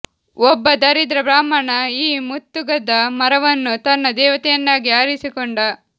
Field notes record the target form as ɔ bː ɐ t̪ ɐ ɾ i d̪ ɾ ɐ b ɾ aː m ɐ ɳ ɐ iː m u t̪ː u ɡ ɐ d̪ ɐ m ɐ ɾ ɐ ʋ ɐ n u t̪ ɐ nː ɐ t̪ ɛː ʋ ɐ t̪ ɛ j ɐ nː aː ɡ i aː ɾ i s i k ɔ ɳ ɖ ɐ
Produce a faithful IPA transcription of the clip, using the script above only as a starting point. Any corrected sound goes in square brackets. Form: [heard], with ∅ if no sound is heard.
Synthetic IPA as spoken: ɔ bː ɐ [d̪] ɐ ɾ i d̪ ɾ ɐ b ɾ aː m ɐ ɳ ɐ iː m u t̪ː u ɡ ɐ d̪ ɐ m ɐ ɾ ɐ ʋ ɐ [nː] u t̪ ɐ nː ɐ [d̪] ɛː ʋ ɐ t̪ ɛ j ɐ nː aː ɡ i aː ɾ i s i k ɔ ɳ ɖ ɐ

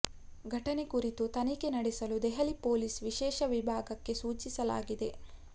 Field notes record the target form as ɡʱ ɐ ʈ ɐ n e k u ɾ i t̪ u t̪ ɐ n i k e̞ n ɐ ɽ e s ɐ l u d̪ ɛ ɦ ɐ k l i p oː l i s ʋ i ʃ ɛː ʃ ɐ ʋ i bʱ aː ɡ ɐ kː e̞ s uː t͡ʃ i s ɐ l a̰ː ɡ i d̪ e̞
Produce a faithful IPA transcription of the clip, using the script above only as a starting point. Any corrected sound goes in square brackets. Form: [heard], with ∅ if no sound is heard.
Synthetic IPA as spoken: ɡʱ ɐ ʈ ɐ n e k u ɾ i t̪ u t̪ ɐ n i k e̞ n ɐ ɽ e s ɐ l u d̪ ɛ ɦ ɐ [∅] l i p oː l i s ʋ i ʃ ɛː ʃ ɐ ʋ i bʱ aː ɡ ɐ kː e̞ s uː t͡ʃ i s ɐ l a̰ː ɡ i d̪ e̞

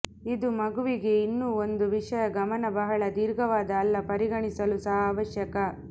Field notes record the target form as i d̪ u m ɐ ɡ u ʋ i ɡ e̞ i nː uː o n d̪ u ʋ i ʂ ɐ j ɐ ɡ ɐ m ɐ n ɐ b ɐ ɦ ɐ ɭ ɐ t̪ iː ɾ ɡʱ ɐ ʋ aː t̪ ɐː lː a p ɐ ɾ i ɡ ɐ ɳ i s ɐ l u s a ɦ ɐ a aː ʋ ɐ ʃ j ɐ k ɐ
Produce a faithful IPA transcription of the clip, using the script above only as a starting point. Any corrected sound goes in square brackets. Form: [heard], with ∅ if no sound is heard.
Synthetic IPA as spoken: i d̪ u m ɐ ɡ u ʋ i ɡ e̞ i nː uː o n d̪ u ʋ i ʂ ɐ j ɐ ɡ ɐ m ɐ n ɐ b ɐ ɦ ɐ ɭ ɐ [d̪] iː ɾ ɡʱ ɐ ʋ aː [d̪] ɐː lː [ɐ] p ɐ ɾ i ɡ ɐ ɳ i s ɐ l u s [ɐ] ɦ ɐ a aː ʋ ɐ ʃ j ɐ k ɐ

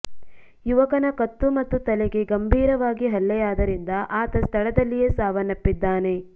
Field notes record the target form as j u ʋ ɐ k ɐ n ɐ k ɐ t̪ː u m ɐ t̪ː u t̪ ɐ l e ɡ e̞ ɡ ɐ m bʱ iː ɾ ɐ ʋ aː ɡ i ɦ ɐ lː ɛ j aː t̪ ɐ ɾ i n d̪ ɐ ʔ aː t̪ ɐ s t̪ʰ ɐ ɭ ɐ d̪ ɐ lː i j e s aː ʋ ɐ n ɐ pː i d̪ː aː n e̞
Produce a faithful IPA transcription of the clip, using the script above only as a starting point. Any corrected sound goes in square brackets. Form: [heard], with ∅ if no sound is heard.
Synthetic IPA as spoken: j u ʋ ɐ k ɐ n ɐ k ɐ t̪ː u m ɐ t̪ː u t̪ ɐ l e ɡ e̞ ɡ ɐ m bʱ iː ɾ ɐ ʋ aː ɡ i ɦ ɐ lː ɛ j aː [d̪] ɐ ɾ i n d̪ ɐ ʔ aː t̪ ɐ s t̪ʰ ɐ ɭ ɐ d̪ ɐ lː i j e s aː ʋ ɐ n ɐ pː i d̪ː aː n e̞

